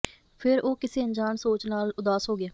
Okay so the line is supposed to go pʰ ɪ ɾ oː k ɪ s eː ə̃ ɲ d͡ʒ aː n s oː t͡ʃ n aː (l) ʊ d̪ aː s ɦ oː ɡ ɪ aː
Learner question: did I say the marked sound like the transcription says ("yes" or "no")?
yes